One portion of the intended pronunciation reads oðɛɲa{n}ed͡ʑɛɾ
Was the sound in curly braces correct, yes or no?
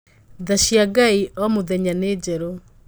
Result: yes